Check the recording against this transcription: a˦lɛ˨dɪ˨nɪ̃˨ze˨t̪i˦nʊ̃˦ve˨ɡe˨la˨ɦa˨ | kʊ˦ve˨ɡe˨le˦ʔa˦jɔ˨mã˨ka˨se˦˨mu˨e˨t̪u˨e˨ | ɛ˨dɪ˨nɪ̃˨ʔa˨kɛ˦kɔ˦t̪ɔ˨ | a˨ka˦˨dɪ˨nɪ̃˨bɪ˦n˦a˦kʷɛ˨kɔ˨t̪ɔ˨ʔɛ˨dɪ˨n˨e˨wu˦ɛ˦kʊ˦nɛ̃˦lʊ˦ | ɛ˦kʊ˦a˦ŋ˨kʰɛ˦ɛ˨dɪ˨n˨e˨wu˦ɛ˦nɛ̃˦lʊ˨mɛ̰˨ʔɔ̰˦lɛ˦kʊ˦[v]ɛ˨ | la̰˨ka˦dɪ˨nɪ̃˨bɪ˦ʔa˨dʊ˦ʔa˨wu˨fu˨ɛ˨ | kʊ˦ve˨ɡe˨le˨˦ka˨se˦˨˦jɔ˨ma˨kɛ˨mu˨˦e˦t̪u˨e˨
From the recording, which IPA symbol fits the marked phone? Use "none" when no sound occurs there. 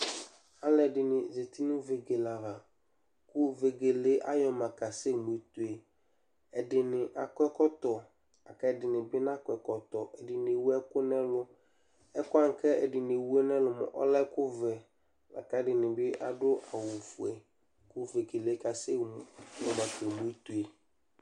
v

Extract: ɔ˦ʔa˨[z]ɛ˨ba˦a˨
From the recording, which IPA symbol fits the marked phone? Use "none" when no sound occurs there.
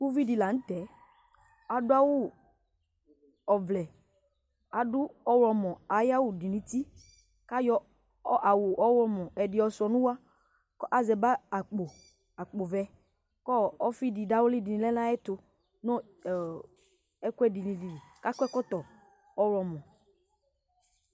z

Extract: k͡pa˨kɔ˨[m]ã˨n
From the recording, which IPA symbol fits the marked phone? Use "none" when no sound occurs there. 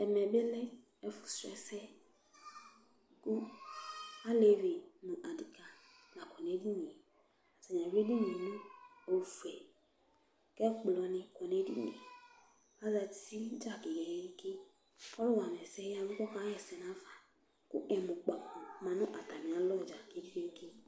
m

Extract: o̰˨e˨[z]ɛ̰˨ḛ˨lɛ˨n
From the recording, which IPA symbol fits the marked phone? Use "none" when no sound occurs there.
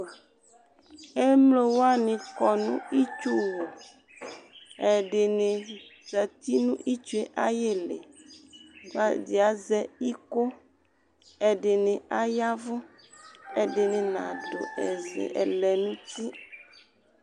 z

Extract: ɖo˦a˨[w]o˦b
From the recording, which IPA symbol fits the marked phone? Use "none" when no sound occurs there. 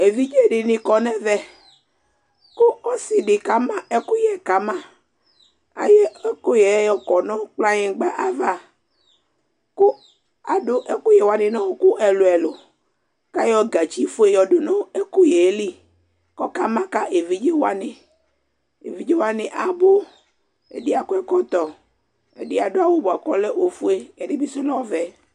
w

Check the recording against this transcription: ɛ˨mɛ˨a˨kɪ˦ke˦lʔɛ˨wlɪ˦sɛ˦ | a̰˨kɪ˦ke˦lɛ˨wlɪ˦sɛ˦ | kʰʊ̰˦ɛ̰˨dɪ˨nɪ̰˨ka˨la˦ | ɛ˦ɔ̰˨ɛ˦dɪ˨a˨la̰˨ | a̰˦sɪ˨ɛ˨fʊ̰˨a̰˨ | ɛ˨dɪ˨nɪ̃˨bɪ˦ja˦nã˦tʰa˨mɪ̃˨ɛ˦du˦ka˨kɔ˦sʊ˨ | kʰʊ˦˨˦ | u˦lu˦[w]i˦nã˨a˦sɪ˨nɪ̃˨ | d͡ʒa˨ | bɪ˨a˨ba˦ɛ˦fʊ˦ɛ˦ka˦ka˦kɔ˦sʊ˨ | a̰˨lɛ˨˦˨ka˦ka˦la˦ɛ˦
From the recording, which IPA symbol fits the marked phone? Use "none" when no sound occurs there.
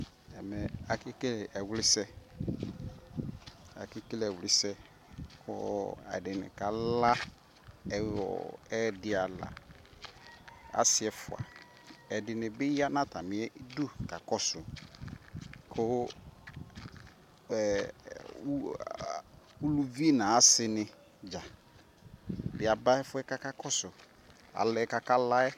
v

